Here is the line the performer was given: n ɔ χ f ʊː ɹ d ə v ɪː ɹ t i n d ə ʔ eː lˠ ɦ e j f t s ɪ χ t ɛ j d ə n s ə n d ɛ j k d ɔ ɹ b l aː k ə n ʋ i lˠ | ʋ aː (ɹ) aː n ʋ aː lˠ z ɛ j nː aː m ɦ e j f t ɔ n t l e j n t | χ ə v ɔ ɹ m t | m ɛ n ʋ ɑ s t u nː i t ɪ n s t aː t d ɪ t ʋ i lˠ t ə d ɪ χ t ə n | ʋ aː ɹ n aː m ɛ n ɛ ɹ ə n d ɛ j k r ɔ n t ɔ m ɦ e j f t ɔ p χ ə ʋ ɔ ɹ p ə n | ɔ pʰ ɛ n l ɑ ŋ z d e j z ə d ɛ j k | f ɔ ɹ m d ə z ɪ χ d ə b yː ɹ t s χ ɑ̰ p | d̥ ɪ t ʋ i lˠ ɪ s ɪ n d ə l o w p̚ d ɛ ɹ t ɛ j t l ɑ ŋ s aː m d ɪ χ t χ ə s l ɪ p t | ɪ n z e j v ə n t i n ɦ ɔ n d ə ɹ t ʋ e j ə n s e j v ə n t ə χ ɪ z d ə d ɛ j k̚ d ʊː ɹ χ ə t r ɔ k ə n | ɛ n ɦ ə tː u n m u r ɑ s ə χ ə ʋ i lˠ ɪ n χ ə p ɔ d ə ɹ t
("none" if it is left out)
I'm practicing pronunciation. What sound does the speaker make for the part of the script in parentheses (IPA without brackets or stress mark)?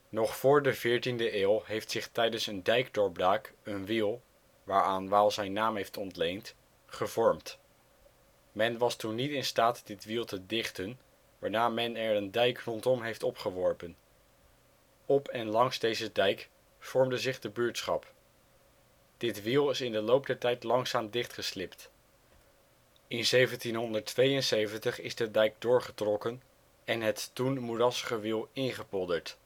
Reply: ɹ